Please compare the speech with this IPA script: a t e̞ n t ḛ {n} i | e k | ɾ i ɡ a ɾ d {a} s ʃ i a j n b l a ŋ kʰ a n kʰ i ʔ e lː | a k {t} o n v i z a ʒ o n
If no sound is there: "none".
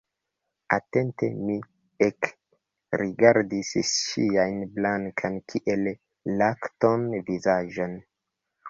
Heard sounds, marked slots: m, i, t

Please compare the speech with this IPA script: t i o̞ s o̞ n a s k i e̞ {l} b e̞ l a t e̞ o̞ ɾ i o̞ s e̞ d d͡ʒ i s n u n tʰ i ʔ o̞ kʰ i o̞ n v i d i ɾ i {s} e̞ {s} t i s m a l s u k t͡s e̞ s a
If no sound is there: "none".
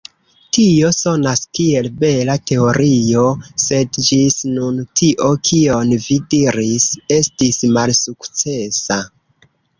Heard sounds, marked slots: l, s, s

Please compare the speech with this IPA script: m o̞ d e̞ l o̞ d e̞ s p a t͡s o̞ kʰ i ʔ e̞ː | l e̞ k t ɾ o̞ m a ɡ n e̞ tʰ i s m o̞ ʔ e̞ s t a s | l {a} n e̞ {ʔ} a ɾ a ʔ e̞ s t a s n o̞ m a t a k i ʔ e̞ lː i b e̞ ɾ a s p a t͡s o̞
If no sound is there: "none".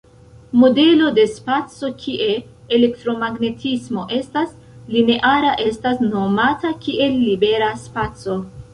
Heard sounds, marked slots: i, ʔ

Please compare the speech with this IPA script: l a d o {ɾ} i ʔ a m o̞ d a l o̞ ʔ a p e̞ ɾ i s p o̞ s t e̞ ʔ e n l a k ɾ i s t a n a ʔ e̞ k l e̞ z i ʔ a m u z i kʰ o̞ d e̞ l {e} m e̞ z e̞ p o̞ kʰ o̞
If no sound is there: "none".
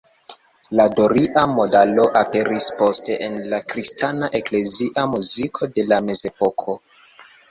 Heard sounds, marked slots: ɾ, a

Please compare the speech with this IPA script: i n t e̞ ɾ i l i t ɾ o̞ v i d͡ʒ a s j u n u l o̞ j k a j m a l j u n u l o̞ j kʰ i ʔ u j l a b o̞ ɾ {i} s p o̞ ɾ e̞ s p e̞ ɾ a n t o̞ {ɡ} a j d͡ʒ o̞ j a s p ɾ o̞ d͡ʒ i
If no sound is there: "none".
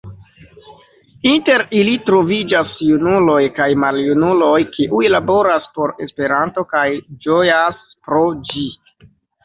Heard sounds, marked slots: a, k

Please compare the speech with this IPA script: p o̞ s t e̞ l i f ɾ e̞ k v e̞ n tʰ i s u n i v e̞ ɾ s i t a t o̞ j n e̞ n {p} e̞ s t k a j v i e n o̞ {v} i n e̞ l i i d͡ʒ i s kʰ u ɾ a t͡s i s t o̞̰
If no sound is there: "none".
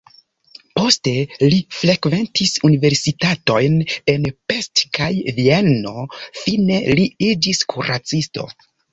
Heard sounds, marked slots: p, f

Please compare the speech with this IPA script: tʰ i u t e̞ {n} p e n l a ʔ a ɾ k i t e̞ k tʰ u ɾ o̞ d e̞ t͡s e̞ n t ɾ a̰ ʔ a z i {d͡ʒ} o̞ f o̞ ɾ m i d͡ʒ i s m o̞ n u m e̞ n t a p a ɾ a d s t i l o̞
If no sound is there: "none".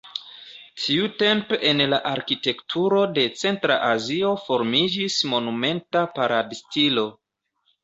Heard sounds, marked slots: m, none

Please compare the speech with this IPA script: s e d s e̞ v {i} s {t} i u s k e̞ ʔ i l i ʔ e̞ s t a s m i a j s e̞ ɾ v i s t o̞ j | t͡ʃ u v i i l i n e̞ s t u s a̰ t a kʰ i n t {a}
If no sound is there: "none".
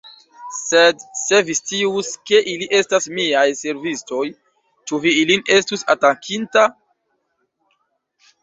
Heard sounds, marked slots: i, t, a

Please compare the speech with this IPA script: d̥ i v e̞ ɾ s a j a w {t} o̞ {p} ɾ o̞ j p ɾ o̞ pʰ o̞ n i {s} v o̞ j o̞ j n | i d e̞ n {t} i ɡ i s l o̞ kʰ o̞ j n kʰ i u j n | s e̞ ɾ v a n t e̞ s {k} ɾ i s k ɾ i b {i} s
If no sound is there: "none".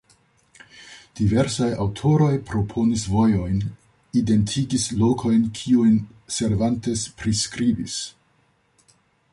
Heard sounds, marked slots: tʰ, none, s, tʰ, p, i

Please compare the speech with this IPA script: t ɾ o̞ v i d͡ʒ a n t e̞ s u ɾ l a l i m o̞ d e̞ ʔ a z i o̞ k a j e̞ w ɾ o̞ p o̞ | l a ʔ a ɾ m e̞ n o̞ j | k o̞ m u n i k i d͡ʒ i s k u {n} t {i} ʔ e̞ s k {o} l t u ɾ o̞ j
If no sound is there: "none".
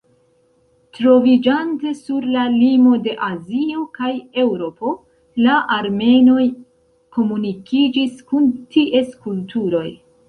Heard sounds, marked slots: n, i, u

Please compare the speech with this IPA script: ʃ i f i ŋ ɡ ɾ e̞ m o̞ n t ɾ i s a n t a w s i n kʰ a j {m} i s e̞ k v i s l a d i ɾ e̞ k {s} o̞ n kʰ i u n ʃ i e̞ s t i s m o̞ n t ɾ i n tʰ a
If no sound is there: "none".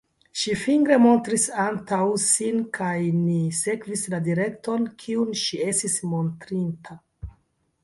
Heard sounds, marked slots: n, t

